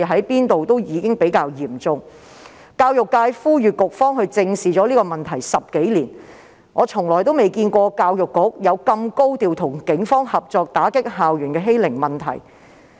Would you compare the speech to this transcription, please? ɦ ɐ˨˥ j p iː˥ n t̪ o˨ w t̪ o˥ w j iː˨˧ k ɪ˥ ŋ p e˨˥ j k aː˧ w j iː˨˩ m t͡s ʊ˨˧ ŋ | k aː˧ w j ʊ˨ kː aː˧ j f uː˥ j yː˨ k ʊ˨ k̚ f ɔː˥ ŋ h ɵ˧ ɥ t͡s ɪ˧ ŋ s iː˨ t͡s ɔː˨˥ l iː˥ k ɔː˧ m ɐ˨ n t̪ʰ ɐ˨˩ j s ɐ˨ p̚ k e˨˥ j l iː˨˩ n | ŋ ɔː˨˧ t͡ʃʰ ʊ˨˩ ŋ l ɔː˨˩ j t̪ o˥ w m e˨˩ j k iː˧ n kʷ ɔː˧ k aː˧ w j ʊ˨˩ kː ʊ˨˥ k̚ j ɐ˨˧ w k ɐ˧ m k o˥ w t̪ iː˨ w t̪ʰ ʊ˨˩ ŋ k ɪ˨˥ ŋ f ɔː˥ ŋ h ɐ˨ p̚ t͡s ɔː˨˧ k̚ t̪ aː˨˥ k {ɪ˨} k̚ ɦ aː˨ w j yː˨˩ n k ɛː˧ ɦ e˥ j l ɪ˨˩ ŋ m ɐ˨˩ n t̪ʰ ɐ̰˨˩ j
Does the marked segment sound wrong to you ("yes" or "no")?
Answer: yes